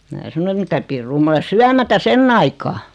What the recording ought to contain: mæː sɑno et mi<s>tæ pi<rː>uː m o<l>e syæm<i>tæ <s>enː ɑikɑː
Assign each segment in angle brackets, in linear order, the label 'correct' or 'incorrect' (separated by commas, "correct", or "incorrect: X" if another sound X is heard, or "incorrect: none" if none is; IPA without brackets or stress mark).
incorrect: none, correct, correct, incorrect: æ, correct